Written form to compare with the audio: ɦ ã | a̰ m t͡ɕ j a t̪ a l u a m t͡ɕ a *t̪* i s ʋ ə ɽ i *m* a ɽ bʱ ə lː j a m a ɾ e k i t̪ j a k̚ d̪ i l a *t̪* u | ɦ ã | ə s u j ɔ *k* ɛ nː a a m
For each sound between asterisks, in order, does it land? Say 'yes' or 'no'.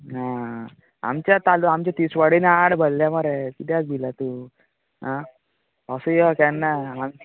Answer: yes, no, yes, yes

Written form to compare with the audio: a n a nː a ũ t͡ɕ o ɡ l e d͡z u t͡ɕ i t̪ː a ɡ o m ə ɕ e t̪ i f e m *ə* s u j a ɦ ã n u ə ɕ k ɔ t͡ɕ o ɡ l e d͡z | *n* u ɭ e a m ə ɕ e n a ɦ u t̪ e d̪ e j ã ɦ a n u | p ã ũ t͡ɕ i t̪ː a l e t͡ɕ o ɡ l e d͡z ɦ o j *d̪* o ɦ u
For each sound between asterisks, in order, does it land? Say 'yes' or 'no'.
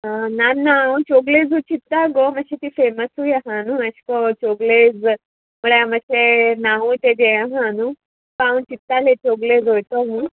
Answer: yes, no, no

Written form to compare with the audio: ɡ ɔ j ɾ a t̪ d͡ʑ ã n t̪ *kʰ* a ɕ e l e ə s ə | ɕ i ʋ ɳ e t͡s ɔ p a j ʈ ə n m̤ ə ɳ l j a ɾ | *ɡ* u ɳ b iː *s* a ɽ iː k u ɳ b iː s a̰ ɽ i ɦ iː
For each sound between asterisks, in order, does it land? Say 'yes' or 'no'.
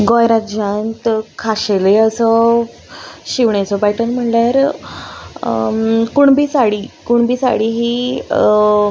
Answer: yes, no, yes

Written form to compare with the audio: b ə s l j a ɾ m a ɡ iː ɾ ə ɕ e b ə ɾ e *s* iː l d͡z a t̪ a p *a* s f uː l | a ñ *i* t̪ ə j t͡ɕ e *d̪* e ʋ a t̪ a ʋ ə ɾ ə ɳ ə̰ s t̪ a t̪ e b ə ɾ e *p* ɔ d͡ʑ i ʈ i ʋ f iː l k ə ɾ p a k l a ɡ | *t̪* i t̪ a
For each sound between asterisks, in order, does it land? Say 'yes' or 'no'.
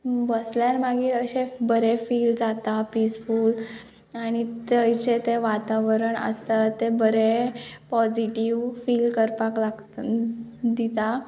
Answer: no, no, yes, no, yes, no

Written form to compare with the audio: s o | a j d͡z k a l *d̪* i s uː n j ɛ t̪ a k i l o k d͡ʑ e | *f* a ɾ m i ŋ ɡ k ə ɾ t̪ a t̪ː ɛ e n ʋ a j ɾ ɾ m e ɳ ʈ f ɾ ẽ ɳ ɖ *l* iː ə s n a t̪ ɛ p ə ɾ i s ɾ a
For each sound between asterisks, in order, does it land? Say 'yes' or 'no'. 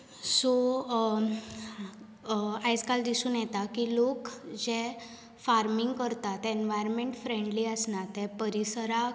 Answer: yes, yes, yes

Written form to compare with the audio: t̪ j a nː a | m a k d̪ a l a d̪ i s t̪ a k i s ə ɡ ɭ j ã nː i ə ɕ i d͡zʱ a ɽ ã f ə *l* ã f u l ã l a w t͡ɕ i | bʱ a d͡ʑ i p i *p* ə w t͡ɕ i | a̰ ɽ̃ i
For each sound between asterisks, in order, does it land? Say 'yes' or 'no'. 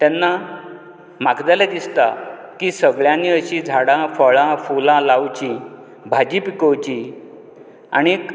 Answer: no, no

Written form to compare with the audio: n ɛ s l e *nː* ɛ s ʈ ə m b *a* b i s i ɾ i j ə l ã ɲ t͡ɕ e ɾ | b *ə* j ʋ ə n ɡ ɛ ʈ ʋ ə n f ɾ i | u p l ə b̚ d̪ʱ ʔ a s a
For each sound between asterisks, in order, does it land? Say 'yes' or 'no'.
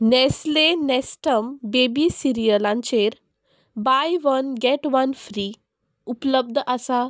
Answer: no, no, no

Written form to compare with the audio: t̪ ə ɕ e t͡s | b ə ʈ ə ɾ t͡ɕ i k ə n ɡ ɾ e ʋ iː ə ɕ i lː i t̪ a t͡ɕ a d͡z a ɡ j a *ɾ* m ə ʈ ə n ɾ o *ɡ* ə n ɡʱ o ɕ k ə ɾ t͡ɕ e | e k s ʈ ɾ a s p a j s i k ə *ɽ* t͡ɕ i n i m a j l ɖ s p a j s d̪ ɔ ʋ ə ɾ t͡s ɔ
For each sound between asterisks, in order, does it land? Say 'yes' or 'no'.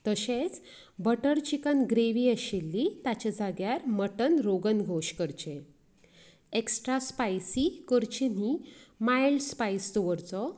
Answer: yes, yes, no

